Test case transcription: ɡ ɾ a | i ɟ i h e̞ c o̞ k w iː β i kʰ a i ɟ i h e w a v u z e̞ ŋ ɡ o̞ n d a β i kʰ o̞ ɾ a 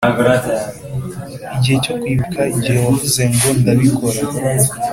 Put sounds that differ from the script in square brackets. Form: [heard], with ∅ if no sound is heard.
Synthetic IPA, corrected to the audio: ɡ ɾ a | i ɟ i h e̞ c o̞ k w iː β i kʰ a i ɟ i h e w a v u z e̞ ŋ ɡ o̞ n d a β i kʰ o̞ ɾ a